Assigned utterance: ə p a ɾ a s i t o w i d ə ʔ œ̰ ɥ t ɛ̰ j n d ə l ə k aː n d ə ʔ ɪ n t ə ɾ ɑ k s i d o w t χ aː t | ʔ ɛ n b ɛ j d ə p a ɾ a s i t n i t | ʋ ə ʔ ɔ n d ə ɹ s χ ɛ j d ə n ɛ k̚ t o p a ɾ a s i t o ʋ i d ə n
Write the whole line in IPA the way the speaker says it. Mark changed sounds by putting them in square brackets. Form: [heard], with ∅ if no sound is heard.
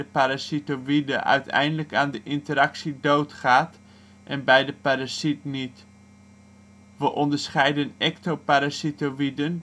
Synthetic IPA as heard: ə p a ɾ a s i t o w i d ə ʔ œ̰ ɥ t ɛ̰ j n d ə l ə k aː n d ə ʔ ɪ n t ə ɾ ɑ k s i d o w t χ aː t | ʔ ɛ n b ɛ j d ə p a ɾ a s i t n i t | ʋ ə ʔ ɔ n d ə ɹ s χ ɛ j d ə n ɛ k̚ t o p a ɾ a s i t o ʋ i d ə n